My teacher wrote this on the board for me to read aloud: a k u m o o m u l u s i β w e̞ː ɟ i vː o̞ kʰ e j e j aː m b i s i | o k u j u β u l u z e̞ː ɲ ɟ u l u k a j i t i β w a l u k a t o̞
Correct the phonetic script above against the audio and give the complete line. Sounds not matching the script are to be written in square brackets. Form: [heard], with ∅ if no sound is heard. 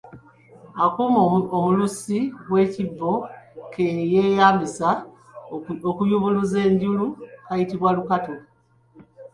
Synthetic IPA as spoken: a k u m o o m u l u s i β w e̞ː [c] i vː o̞ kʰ e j e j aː m b i s [a] | o k u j u β u l u z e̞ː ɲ ɟ u l u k a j i t i β w a l u k a t o̞